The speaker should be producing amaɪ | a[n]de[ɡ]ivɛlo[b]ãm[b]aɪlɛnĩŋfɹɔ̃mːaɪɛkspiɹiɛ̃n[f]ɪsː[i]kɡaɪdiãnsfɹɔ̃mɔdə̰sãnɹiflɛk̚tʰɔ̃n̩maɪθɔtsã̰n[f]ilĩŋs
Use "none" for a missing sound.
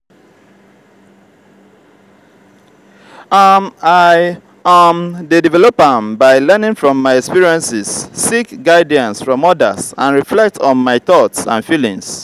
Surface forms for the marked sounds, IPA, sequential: m, d, p, b, s, i, f

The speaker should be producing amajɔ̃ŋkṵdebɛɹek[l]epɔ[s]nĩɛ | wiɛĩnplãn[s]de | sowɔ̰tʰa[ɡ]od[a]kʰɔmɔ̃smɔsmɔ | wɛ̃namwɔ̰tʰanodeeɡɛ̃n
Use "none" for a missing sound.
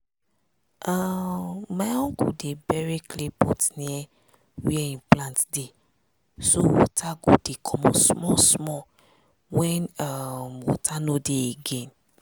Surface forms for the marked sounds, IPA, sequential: l, t, t, ɡ, e

